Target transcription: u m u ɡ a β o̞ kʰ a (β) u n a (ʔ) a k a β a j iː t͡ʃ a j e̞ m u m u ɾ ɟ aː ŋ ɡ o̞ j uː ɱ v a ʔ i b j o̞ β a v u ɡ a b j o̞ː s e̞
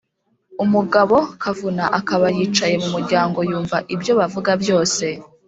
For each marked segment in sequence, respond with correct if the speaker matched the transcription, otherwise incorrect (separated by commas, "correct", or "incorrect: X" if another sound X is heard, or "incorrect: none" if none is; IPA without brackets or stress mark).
incorrect: v, correct